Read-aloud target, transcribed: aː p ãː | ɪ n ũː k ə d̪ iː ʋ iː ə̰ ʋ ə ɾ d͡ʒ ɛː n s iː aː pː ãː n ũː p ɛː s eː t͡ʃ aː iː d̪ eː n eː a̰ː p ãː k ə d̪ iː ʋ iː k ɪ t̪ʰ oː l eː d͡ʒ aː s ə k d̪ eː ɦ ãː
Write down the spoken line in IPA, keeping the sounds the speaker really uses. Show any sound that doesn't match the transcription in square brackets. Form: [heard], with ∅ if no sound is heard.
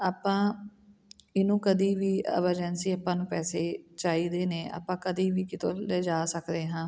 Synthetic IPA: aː p ãː | ɪ n ũː k ə d̪ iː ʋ iː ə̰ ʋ ə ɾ d͡ʒ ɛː n s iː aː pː ãː n ũː p ɛː s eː t͡ʃ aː iː d̪ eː n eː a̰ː p ãː k ə d̪ iː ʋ iː k ɪ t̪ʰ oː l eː d͡ʒ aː s ə k d̪ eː ɦ ãː